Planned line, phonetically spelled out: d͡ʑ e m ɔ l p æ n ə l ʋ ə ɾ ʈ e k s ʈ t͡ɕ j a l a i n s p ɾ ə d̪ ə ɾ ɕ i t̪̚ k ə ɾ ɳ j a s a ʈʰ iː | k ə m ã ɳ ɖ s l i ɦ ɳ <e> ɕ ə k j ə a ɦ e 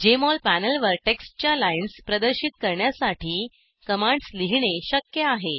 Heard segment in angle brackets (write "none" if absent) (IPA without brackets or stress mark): e